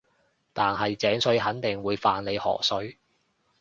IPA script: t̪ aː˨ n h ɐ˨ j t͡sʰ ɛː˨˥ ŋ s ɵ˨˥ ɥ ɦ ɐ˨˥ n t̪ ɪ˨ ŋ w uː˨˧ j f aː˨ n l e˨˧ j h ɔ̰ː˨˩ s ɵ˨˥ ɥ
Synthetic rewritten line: t̪ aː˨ n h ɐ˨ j t͡s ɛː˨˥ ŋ s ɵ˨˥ ɥ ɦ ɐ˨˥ n t̪ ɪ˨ ŋ w uː˨˧ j f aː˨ n l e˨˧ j h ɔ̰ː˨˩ s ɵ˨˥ ɥ